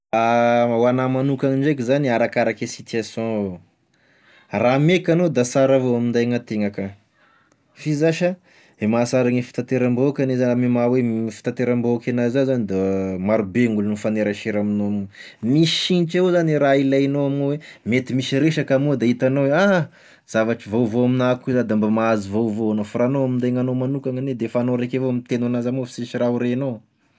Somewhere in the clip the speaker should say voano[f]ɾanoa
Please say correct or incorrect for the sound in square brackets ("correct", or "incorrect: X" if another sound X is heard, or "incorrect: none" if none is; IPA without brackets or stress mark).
correct